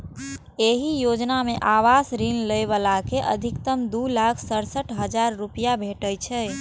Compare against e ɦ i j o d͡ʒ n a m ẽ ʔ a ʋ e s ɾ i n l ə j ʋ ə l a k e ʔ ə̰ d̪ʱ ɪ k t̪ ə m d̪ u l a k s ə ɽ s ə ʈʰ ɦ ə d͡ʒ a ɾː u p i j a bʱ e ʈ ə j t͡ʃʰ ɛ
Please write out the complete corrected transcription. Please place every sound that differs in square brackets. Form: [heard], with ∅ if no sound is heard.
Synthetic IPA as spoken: e ɦ i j o d͡ʒ n a m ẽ ʔ a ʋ [a] s ɾ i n l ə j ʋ ə l a k e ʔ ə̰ d̪ʱ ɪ k t̪ ə m d̪ u l a [kʰ] s ə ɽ s ə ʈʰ ɦ ə d͡ʒ a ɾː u p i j a bʱ e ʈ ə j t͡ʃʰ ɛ